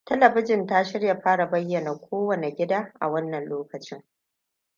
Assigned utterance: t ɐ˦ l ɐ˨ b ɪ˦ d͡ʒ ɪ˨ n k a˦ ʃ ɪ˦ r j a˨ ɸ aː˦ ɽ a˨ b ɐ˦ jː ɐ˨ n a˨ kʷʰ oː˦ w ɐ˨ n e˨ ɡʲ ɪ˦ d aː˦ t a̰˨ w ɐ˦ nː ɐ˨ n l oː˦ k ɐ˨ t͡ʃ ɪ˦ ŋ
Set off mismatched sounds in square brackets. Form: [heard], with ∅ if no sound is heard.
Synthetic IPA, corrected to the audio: t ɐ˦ l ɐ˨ b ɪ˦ d͡ʒ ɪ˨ n [t] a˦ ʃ ɪ˦ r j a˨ ɸ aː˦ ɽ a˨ b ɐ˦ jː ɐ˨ n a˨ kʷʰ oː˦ w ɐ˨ n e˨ ɡʲ ɪ˦ d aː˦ [ʔ] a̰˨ w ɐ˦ nː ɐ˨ n l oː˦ k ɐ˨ t͡ʃ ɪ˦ ŋ

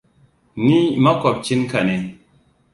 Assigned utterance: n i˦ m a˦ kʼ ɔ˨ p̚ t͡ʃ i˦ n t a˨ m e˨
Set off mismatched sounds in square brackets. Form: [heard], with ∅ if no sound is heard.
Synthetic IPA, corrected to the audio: n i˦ m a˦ [k] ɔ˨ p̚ t͡ʃ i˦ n [k] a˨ [n] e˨

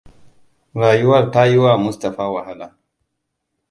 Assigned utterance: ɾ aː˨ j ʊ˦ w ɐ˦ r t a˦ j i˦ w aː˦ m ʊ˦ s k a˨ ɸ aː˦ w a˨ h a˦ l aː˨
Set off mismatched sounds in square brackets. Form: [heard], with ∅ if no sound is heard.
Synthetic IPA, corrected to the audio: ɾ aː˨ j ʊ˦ w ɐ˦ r t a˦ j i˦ w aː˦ m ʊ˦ s [t] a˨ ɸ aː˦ w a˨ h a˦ l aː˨

